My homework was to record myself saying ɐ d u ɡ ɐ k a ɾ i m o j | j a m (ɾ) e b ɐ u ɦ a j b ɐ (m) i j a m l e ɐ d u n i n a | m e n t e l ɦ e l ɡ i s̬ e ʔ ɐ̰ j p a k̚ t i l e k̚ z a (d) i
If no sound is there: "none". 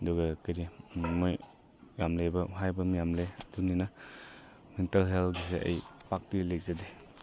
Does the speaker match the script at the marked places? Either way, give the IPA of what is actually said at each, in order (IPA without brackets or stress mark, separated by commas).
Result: l, m, d